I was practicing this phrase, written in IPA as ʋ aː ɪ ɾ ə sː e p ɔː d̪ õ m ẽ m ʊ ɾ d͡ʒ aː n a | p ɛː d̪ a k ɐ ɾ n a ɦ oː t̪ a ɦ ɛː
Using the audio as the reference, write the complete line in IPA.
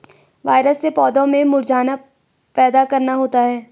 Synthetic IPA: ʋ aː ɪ ɾ ə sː e p ɔː d̪ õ m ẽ m ʊ ɾ d͡ʒ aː n a | p ɛː d̪ a k ɐ ɾ n a ɦ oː t̪ a ɦ ɛː

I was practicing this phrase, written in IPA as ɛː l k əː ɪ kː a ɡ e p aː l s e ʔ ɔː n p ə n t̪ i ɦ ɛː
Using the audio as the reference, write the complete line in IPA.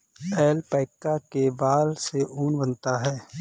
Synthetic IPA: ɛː l p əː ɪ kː a k e b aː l s e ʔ uː n b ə n t̪ a ɦ ɛː

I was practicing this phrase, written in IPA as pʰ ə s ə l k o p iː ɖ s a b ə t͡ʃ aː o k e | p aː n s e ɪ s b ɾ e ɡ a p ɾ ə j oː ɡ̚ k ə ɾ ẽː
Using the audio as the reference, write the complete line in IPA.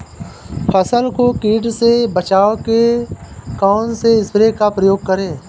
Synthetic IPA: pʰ ə s ə l k o k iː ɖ s e b ə t͡ʃ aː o k e | k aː n s e ɪ s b ɾ e k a p ɾ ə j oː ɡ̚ k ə ɾ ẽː

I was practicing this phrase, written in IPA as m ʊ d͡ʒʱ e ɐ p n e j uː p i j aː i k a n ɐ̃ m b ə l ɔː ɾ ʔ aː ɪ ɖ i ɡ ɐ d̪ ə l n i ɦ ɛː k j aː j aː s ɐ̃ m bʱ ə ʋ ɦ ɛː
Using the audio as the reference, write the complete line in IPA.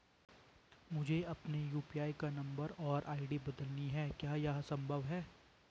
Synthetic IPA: m ʊ d͡ʒʱ e ɐ p n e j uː p i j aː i k a n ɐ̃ m b ə ɾ ɔː ɾ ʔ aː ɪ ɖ i b ɐ d̪ ə l n i ɦ ɛː k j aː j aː s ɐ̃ m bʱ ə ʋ ɦ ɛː

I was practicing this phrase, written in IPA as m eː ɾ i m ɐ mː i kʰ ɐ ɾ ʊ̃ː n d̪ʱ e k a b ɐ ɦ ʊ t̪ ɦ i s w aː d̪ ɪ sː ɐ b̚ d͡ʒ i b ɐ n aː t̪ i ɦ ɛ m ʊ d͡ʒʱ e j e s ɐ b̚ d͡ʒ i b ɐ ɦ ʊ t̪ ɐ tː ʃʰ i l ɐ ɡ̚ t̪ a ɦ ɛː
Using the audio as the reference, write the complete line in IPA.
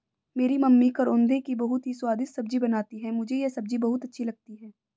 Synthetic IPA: m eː ɾ i m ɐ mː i k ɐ ɾ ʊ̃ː n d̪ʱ e k i b ɐ ɦ ʊ t̪ ɦ i s w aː d̪ ɪ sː ɐ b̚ d͡ʒ i b ɐ n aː t̪ i ɦ ɛ m ʊ d͡ʒʱ e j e s ɐ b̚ d͡ʒ i b ɐ ɦ ʊ t̪ ɐ tː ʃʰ i l ɐ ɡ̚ t̪ i ɦ ɛː

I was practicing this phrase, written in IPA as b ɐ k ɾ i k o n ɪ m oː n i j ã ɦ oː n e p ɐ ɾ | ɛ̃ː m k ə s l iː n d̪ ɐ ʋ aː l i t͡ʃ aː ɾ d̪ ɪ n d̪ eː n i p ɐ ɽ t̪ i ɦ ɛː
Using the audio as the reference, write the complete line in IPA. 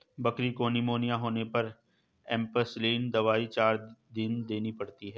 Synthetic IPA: b ɐ k ɾ i k o n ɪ m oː n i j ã ɦ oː n e p ɐ ɾ | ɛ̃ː m p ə s l iː n d̪ ɐ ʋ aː i t͡ʃ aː ɾ d̪ ɪ n d̪ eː n i p ɐ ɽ t̪ i ɦ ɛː

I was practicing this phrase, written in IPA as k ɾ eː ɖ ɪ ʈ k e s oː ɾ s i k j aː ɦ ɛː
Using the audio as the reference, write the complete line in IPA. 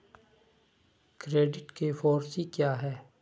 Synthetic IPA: k ɾ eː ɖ ɪ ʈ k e f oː ɾ s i k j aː ɦ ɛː

